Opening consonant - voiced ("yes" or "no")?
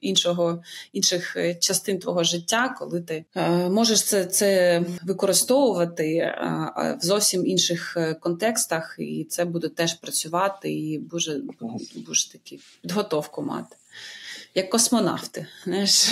yes